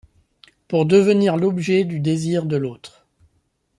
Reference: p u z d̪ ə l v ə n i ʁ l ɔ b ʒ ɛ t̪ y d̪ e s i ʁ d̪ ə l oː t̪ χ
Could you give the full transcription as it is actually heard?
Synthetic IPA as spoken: p u ʁ d̪ ə v ə n i ʁ l ɔ b ʒ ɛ d̪ y d̪ e z i ʁ d̪ ə l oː t̪ χ